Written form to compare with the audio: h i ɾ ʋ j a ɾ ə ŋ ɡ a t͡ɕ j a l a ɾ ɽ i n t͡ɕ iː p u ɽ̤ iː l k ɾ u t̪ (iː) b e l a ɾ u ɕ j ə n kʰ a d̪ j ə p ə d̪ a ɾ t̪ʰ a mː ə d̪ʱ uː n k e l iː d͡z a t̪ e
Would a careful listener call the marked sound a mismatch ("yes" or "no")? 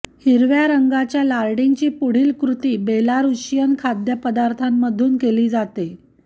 no